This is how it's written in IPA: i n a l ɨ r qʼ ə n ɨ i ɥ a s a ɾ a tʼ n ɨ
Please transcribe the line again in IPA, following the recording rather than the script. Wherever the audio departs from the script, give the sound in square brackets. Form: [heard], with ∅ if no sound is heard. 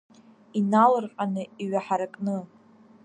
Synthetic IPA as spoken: i n a l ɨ r qʼ [a] n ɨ i ɥ a [ħ] a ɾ a [kʼ] n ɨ